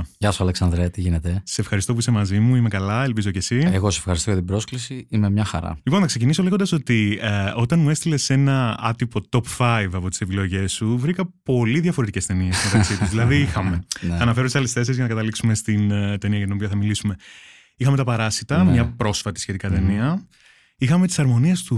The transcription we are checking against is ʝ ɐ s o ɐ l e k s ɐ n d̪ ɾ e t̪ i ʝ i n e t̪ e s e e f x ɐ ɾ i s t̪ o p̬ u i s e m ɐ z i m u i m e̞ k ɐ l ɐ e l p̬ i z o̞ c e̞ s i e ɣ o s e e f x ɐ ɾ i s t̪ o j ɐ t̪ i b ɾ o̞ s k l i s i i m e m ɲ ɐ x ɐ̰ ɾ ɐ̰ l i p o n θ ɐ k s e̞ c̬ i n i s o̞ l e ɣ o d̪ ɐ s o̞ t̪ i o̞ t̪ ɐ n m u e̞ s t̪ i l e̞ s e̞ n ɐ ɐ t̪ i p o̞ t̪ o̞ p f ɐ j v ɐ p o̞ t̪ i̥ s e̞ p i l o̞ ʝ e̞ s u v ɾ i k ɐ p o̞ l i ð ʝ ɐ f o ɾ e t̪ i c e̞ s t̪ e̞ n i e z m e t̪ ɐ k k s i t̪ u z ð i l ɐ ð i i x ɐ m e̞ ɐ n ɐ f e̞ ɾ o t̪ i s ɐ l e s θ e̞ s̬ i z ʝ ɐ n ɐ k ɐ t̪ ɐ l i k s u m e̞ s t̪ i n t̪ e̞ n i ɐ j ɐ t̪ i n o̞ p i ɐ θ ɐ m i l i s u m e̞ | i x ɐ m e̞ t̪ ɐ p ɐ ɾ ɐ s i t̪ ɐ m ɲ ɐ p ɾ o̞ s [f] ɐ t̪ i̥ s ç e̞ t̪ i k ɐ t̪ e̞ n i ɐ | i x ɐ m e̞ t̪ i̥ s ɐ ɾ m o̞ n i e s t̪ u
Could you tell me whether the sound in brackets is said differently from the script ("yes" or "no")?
no